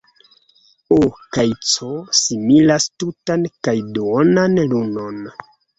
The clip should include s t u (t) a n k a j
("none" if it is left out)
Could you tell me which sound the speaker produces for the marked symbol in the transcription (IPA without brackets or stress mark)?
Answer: t